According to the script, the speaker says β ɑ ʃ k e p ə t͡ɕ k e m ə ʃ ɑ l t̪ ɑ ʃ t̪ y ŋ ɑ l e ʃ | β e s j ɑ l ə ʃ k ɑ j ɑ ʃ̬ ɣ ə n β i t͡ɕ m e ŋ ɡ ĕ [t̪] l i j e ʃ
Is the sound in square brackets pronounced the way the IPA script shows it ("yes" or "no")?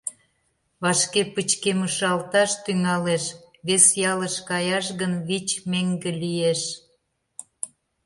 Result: no